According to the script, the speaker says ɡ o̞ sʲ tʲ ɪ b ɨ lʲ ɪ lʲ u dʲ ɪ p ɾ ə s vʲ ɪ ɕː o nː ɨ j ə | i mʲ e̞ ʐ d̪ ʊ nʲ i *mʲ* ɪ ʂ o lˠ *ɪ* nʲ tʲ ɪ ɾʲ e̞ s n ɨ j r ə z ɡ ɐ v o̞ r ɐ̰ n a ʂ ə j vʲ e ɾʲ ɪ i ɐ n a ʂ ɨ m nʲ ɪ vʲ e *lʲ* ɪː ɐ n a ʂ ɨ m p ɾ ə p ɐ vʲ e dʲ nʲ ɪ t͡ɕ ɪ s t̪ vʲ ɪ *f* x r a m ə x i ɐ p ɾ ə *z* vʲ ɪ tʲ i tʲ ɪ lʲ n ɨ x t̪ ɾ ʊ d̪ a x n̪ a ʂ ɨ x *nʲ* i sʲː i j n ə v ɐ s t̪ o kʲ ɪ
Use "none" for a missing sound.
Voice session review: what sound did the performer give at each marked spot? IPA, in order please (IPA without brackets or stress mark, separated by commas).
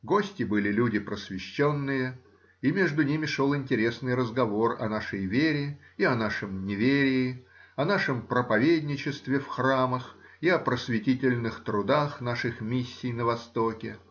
mʲ, ɪ, ɾʲ, f, s, mʲ